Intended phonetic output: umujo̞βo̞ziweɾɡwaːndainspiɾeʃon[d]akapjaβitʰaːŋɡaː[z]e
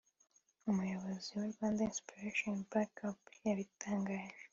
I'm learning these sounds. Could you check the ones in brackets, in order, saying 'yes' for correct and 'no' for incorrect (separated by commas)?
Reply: no, no